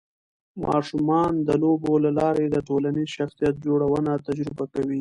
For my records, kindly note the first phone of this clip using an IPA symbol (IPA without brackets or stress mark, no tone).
m